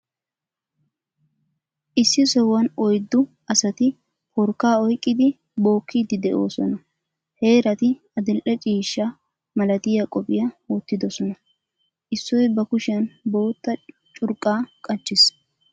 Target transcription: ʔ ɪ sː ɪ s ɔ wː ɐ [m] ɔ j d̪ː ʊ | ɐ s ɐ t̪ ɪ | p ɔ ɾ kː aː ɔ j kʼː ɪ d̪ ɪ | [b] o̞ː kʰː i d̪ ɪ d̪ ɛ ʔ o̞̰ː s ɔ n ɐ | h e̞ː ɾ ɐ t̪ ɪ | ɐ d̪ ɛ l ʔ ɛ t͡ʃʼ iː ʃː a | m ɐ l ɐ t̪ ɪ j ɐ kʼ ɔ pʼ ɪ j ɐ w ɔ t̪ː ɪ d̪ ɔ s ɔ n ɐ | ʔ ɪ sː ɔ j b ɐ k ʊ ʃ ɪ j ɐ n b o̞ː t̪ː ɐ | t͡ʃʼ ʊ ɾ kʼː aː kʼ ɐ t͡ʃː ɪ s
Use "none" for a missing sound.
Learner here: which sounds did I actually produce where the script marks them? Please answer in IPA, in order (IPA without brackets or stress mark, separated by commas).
n, b